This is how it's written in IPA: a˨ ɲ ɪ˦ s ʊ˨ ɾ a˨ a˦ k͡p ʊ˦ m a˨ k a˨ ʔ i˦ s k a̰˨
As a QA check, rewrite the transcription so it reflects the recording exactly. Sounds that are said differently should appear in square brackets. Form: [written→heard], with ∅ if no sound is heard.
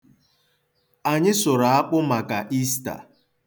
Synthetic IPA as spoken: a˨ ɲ ɪ˦ s ʊ˨ ɾ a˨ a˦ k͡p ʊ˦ m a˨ k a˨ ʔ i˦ s [k→t] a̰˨